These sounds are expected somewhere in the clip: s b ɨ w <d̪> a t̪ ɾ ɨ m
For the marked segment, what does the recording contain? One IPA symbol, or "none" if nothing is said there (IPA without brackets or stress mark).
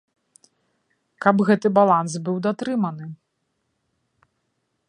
d̪